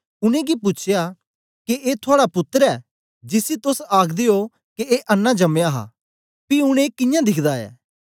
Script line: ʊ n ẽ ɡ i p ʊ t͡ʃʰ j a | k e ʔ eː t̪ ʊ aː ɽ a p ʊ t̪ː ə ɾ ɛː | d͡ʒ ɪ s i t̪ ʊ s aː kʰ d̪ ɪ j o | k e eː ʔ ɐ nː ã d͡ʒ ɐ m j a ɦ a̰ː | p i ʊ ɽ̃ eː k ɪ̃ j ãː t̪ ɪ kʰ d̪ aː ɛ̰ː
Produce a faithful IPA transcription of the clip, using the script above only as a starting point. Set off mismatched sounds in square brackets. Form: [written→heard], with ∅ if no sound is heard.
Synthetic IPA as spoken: ʊ n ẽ ɡ i p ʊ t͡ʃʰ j a | k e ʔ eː [t̪→t̪ʰ] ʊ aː ɽ a p ʊ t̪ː ə ɾ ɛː | d͡ʒ ɪ s i t̪ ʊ s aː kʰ d̪ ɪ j o | k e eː ʔ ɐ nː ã d͡ʒ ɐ m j a ɦ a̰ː | p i ʊ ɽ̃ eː k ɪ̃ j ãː [t̪→d̪] ɪ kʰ d̪ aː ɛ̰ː